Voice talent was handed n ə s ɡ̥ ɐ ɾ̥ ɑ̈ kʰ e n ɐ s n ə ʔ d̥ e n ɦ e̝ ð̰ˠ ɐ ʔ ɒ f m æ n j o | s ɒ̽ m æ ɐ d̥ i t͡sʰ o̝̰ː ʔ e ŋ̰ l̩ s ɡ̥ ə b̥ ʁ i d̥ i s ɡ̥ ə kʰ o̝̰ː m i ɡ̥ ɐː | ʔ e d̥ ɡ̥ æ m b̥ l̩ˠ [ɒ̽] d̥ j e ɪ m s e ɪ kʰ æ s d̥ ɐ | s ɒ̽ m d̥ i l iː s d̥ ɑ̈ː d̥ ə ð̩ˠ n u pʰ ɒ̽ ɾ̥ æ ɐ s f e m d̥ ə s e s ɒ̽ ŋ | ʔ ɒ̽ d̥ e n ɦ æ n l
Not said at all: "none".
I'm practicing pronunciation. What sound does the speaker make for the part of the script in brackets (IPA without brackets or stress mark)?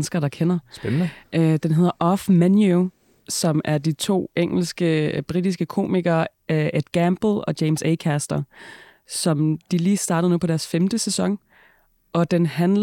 ɒ̽